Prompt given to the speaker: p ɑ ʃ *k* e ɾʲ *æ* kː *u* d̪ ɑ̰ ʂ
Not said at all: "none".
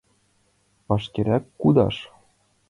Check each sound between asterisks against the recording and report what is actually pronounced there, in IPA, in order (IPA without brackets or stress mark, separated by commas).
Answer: k, æ, u